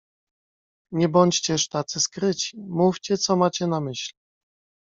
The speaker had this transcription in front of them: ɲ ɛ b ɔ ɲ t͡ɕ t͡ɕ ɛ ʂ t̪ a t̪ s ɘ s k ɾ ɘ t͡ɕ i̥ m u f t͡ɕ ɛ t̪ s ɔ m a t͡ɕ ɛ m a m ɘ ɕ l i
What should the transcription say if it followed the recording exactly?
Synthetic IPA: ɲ ɛ b ɔ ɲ t͡ɕ t͡ɕ ɛ ʂ t̪ a t̪ s ɘ s k ɾ ɘ t͡ɕ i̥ m u f t͡ɕ ɛ t̪ s ɔ m a t͡ɕ ɛ n a m ɘ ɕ l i